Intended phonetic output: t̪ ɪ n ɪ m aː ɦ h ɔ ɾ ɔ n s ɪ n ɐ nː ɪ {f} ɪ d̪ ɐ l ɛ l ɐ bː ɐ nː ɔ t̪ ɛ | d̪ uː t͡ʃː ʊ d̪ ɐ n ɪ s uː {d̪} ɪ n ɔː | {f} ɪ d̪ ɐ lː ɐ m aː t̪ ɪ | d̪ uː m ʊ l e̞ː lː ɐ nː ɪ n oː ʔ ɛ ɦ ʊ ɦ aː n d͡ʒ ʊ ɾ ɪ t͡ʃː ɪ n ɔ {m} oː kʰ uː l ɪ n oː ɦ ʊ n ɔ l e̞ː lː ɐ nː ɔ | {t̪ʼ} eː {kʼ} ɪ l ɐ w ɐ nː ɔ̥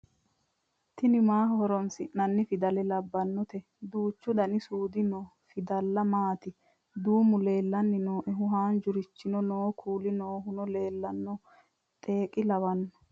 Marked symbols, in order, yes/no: yes, yes, yes, no, yes, yes

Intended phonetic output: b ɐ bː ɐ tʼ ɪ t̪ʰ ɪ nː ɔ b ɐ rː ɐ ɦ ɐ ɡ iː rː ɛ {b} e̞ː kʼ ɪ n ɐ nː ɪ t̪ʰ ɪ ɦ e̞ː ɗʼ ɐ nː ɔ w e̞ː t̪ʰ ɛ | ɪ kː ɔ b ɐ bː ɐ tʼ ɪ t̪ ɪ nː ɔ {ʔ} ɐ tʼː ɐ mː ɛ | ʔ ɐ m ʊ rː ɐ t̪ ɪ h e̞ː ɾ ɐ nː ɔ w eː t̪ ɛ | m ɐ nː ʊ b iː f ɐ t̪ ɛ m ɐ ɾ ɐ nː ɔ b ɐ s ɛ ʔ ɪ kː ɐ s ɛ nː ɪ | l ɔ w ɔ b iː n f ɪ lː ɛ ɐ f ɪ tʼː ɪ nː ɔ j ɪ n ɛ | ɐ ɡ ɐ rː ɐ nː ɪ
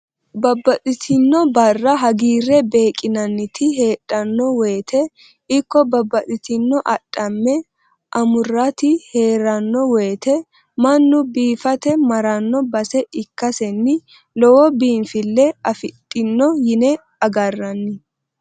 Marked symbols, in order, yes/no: yes, yes

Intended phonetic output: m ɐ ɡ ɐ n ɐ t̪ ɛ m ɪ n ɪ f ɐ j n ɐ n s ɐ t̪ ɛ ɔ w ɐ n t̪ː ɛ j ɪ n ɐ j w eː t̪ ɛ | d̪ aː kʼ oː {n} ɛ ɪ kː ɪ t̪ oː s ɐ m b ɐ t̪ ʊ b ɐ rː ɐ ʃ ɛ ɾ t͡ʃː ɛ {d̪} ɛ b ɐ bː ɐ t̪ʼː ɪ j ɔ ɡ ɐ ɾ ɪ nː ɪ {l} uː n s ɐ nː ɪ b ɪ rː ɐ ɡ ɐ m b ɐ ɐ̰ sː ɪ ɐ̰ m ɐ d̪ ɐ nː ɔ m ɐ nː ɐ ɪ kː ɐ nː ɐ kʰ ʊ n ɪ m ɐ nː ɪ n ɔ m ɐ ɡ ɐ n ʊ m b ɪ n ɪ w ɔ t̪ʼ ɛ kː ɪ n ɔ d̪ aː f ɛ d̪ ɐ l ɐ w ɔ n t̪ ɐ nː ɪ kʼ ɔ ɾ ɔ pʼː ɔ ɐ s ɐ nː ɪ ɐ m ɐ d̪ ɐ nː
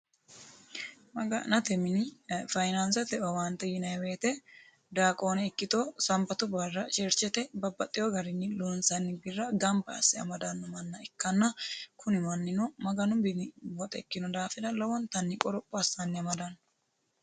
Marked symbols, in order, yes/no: yes, no, yes

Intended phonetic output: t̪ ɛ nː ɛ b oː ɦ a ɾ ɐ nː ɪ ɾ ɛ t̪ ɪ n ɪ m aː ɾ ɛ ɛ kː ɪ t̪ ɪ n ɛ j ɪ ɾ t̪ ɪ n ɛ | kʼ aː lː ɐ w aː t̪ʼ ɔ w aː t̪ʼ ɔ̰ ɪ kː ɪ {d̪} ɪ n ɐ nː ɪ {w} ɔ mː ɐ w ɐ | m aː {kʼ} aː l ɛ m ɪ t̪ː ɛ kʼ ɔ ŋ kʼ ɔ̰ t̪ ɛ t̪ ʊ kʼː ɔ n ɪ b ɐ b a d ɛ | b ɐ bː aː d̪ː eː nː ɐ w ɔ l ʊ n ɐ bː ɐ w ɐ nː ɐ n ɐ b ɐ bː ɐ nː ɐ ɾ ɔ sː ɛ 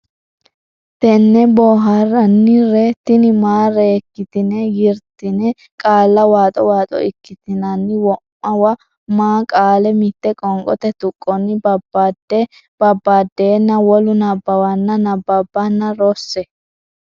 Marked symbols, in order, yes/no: no, yes, yes

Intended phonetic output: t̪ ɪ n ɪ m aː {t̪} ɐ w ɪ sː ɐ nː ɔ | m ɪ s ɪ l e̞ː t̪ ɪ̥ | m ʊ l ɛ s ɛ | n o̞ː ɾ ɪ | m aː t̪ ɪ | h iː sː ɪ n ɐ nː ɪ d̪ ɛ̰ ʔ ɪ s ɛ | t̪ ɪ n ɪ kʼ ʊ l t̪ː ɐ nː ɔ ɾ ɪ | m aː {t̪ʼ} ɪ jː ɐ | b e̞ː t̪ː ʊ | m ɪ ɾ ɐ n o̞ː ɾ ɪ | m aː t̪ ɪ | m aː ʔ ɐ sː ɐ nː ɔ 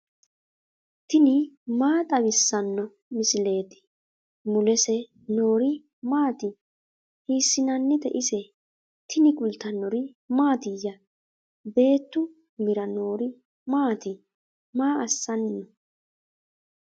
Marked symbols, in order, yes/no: no, no

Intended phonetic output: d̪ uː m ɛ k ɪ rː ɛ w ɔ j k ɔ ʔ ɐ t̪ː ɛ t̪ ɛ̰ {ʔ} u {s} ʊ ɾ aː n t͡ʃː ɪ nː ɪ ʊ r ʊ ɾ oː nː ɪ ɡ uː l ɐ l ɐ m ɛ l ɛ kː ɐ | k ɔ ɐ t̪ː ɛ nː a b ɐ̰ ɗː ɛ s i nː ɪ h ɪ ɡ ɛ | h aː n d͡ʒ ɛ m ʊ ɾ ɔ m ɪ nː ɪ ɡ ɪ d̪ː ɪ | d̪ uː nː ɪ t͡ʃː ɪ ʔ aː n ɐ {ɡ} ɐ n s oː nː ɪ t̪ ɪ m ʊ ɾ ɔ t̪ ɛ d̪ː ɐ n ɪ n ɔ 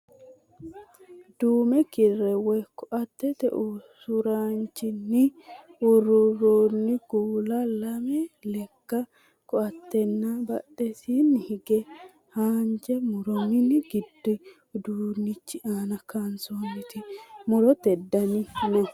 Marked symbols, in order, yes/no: yes, yes, no

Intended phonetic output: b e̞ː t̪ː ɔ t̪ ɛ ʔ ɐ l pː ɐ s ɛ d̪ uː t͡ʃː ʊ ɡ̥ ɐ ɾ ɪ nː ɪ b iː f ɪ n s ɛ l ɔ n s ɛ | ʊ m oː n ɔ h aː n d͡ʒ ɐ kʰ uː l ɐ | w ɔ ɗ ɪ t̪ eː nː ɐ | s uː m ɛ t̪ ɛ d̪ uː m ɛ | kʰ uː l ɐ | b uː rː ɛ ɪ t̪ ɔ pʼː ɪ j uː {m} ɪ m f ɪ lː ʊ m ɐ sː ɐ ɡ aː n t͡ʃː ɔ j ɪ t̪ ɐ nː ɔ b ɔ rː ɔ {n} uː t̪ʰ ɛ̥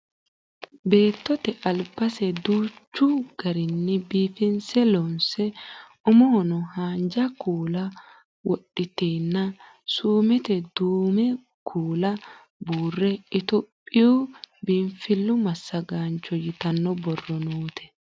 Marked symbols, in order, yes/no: no, yes

